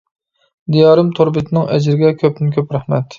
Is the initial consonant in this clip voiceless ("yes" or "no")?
no